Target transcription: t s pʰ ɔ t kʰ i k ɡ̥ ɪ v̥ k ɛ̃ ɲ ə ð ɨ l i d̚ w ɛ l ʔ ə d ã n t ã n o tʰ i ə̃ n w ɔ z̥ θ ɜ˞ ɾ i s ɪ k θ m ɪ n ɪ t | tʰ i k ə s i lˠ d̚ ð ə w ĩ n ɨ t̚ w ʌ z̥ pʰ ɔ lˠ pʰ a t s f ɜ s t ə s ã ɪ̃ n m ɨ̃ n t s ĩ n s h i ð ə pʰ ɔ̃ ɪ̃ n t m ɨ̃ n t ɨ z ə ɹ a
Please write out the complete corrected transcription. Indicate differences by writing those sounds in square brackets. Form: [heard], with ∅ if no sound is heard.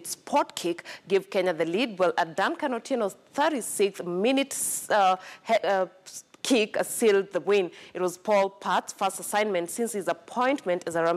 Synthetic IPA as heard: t s pʰ ɔ t kʰ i k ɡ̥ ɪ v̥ k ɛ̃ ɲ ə ð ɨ l i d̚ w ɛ l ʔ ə d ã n [k] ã n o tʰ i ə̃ n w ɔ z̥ θ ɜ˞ ɾ i s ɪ k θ m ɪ n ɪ t | [kʰ] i k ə s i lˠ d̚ ð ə w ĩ n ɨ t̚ w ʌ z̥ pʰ ɔ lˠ pʰ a t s f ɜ s t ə s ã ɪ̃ n m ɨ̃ n t s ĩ n s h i [z] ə pʰ ɔ̃ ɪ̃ n t m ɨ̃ n t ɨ z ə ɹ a